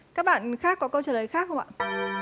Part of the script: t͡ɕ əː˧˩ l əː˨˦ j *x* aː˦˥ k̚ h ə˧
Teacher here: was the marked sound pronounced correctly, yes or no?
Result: yes